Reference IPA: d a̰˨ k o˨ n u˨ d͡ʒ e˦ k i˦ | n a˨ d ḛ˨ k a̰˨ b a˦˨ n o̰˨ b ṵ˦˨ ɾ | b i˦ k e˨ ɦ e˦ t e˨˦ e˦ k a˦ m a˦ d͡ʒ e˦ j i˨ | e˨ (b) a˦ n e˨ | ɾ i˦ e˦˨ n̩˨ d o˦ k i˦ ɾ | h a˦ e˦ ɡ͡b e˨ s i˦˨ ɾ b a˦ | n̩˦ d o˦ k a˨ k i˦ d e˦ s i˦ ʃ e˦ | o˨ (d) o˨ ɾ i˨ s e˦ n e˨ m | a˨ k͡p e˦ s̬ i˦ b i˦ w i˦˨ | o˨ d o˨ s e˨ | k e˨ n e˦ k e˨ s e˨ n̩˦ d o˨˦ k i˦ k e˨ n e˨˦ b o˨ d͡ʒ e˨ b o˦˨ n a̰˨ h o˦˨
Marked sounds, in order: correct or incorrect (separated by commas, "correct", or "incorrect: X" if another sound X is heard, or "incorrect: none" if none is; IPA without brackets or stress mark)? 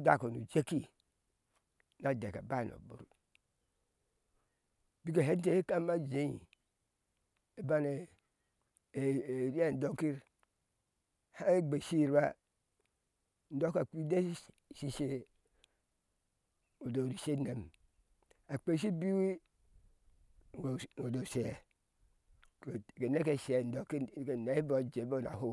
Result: correct, correct